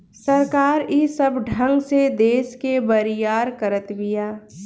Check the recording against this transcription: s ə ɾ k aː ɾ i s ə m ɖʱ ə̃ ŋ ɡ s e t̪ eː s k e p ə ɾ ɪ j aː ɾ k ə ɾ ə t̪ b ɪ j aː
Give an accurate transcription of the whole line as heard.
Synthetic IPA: s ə ɾ k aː ɾ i s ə b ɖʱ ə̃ ŋ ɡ s e d̪ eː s k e b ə ɾ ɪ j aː ɾ k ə ɾ ə t̪ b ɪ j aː